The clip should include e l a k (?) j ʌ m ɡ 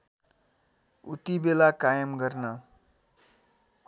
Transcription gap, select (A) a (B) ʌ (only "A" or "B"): A